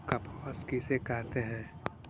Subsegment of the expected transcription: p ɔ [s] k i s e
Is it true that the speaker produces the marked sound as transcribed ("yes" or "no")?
yes